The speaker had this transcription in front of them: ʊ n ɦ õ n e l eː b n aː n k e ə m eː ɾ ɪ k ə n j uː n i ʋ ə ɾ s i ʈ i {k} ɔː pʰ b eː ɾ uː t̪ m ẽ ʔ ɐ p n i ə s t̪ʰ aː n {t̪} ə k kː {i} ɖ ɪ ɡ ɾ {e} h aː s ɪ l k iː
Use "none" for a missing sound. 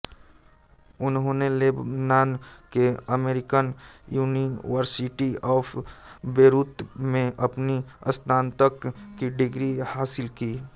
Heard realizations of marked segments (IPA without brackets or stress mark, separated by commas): none, t̪, i, i